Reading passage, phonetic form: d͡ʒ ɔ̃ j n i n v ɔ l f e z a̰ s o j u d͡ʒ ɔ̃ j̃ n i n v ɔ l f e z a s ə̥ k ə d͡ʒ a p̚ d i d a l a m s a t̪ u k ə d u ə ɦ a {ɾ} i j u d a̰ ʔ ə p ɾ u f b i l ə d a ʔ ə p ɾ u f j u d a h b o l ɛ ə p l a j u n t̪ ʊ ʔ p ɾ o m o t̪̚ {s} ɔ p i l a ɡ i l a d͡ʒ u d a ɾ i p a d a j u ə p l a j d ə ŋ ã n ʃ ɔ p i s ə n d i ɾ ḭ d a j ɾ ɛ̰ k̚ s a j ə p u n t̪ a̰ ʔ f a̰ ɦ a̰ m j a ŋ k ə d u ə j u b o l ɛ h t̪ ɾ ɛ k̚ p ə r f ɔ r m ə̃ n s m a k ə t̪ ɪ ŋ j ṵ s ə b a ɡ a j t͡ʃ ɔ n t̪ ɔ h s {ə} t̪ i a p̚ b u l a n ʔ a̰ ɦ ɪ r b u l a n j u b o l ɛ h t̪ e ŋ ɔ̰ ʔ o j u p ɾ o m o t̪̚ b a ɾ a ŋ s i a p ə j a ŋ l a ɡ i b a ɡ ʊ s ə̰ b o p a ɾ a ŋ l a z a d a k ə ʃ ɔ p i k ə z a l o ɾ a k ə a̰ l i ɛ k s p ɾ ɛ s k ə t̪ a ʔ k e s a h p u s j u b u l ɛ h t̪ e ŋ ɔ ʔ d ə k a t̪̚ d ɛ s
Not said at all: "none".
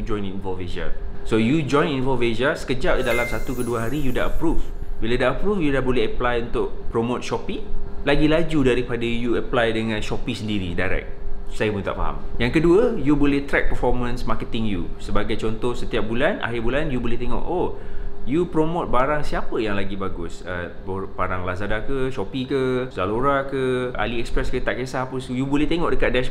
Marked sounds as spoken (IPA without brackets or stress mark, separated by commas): ɾ, ʃ, ə